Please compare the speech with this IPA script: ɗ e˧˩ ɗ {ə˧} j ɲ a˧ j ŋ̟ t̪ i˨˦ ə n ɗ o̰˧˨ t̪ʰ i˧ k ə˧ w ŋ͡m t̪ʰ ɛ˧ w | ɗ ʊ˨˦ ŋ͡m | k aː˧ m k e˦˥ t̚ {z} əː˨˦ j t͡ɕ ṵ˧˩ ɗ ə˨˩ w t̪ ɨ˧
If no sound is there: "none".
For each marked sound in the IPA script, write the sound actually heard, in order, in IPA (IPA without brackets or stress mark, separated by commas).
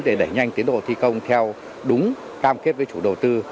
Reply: ə˧˩, v